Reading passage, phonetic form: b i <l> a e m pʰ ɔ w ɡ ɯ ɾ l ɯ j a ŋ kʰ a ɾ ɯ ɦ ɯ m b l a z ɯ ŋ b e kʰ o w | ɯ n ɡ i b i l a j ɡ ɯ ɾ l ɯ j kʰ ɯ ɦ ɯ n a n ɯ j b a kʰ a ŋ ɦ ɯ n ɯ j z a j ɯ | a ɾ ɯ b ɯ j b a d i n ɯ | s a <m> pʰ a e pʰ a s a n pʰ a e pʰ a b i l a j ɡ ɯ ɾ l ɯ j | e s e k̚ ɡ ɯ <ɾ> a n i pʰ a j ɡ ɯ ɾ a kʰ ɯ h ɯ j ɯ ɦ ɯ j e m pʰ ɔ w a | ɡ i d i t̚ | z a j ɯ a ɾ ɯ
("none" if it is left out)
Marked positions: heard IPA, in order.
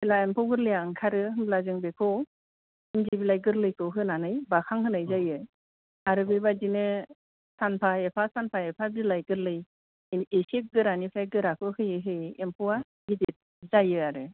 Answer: l, n, ɾ

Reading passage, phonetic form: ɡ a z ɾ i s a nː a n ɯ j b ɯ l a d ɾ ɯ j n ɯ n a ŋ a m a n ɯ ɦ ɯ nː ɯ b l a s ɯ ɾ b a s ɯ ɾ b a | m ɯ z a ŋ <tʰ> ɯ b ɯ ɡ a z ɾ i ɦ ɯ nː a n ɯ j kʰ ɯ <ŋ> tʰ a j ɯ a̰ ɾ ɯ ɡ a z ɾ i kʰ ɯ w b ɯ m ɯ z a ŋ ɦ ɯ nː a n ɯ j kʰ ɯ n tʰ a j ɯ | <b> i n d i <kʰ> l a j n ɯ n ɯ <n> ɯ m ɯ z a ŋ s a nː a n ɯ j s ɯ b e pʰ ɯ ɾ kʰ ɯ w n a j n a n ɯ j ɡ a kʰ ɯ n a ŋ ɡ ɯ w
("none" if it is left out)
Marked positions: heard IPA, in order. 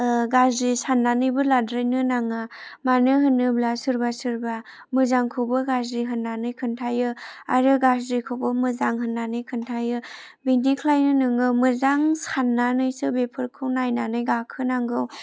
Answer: kʰ, n, b, kʰ, ŋ

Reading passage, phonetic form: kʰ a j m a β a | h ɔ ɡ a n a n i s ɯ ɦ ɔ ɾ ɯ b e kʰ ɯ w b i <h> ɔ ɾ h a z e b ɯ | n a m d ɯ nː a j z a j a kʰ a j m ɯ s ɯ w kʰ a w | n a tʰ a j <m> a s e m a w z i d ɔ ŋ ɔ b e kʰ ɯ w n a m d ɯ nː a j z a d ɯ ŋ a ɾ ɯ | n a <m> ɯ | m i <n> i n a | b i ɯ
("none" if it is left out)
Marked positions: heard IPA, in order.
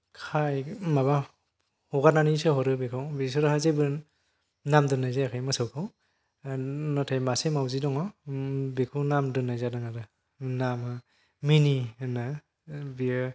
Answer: s, m, m, n

